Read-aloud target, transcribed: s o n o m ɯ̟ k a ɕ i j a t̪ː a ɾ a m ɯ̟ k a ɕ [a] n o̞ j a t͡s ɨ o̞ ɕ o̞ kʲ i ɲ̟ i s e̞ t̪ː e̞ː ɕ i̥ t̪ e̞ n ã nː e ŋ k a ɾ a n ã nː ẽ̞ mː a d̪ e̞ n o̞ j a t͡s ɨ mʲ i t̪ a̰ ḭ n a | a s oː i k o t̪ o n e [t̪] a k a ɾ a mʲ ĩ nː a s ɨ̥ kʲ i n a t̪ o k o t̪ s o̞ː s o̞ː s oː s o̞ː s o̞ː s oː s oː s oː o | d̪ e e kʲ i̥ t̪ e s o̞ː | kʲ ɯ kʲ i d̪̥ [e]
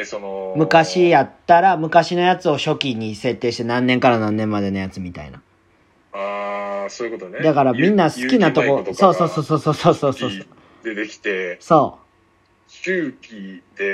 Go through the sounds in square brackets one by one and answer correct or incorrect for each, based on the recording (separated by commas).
incorrect, incorrect, correct